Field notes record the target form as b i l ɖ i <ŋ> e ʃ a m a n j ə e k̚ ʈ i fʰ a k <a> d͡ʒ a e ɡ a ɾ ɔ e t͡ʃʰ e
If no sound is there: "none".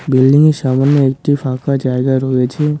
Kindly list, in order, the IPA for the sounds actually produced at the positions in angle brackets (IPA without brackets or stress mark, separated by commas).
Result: ŋ, a